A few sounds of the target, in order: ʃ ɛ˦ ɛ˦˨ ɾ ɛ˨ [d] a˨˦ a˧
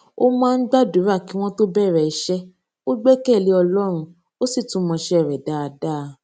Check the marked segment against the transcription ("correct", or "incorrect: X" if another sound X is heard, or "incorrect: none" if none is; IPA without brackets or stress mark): correct